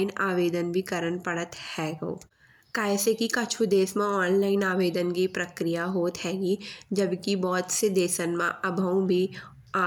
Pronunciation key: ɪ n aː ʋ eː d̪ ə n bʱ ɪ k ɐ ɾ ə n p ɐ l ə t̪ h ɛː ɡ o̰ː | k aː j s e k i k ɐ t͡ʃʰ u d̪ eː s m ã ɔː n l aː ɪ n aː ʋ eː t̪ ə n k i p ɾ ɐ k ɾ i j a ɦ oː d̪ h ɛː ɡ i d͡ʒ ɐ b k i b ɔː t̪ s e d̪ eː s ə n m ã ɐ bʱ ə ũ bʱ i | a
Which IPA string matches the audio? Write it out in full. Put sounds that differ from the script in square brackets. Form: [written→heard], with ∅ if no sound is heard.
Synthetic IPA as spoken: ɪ n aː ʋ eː d̪ ə n bʱ [ɪ→i] k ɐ ɾ ə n p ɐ [l→ɽ] ə t̪ h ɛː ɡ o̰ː | k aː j s e k i k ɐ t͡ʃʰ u d̪ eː s m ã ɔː n l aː ɪ n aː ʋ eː [t̪→d̪] ə n k i p ɾ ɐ k ɾ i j a ɦ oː [d̪→t̪] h ɛː ɡ i d͡ʒ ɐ b k i b ɔː t̪ s e d̪ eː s ə n m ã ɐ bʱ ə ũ bʱ i | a